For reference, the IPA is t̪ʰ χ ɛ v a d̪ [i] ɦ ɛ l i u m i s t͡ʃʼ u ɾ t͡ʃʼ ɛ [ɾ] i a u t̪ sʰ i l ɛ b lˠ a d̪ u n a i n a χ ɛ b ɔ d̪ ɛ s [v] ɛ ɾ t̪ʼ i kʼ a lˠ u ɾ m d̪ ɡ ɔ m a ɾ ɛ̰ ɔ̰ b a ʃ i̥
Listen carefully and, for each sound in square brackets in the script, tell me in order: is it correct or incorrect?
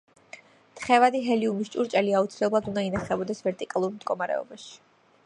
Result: correct, incorrect, correct

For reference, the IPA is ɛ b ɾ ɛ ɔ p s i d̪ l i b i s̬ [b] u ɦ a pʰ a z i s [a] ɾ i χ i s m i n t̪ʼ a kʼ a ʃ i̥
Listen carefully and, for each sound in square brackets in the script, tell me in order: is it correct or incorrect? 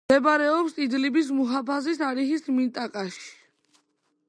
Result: incorrect, correct

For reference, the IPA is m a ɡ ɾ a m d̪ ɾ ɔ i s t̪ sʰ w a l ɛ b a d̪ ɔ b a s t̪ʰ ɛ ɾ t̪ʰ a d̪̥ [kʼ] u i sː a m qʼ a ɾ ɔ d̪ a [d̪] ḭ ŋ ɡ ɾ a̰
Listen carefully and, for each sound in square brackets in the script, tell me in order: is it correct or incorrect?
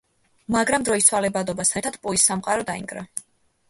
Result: incorrect, incorrect

